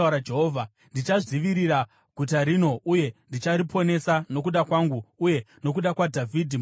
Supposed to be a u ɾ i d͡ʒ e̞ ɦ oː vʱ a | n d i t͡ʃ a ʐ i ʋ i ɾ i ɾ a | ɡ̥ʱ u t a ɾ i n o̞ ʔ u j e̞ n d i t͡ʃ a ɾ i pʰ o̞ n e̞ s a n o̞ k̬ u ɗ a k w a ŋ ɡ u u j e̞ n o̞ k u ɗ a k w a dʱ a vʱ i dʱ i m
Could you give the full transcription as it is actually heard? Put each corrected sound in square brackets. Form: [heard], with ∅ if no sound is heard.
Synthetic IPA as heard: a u ɾ [a] d͡ʒ e̞ ɦ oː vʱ a | n d i t͡ʃ a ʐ i ʋ i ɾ i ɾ a | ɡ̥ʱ u t a ɾ i n o̞ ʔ u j e̞ n d i t͡ʃ a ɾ i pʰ o̞ n e̞ s a n o̞ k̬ u ɗ a k w a ŋ ɡ u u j e̞ n o̞ k u ɗ a k w a dʱ a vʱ i dʱ i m